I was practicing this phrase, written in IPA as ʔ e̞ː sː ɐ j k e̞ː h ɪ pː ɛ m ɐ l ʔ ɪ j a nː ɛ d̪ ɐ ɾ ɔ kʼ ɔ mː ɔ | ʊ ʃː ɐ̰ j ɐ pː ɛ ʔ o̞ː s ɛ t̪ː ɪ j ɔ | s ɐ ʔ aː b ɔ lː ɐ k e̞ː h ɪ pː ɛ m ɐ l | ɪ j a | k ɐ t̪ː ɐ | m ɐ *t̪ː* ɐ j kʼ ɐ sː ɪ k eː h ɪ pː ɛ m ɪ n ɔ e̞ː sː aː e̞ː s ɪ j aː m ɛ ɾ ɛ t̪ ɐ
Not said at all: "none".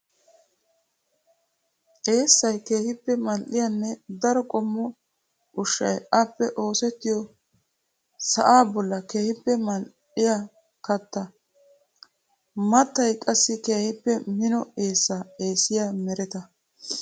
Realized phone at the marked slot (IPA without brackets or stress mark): t̪ː